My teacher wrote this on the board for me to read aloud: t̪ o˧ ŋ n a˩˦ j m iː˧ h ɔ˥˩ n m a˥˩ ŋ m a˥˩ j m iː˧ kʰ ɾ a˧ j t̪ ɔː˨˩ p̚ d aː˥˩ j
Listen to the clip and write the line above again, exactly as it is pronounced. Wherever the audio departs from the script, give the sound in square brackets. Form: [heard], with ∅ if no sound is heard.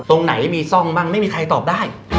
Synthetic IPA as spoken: t̪ o˧ ŋ n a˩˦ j m iː˧ [s] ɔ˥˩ [ŋ] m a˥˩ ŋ m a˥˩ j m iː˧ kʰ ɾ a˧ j t̪ ɔː˨˩ p̚ d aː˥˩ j